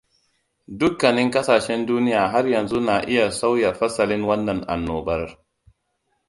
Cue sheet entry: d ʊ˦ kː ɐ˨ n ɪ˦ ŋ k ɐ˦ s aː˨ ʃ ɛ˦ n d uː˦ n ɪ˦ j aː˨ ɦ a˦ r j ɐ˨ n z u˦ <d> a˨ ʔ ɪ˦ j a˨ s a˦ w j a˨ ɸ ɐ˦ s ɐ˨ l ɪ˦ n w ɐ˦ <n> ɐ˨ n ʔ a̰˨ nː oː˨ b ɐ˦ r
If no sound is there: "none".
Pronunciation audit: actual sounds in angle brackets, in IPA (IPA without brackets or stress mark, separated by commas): n, nː